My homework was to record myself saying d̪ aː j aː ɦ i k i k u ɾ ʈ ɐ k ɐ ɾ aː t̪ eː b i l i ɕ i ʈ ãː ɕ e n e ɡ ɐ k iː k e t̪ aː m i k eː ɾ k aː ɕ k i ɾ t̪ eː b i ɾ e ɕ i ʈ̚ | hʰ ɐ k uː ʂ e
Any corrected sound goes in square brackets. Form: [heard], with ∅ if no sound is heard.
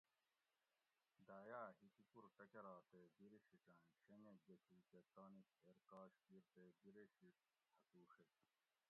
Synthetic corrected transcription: d̪ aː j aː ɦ i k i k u ɾ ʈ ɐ k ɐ ɾ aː t̪ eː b i [ɾ] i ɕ i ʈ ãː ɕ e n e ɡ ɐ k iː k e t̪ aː [n] i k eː ɾ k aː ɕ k i ɾ t̪ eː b i ɾ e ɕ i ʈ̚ | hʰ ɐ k uː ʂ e